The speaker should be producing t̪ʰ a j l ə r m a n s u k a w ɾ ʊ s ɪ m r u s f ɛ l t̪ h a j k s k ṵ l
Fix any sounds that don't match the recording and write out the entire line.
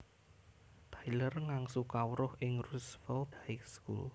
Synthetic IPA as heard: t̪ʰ a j l ə r ŋ a ŋ s u k a w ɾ ʊ h ɪ ŋ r u s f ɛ l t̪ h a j k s k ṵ l